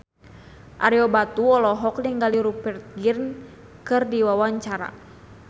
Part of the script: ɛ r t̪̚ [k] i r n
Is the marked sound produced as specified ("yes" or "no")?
no